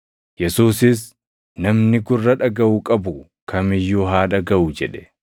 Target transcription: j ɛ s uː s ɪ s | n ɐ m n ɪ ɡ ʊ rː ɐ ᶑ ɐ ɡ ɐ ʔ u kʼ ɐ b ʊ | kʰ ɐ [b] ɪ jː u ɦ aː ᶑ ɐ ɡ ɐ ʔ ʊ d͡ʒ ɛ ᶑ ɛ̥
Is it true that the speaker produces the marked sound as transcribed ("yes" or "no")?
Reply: no